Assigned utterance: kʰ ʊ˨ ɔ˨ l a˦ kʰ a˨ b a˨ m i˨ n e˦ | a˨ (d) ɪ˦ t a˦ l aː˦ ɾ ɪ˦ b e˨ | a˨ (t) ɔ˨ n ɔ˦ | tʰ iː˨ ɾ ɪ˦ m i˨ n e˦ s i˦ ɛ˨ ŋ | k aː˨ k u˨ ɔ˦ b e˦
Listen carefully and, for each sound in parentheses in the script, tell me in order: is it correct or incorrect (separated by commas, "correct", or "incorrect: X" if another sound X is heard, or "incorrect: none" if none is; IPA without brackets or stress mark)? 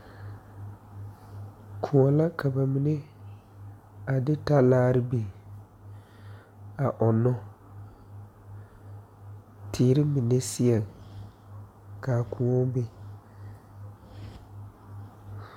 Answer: correct, incorrect: ʔ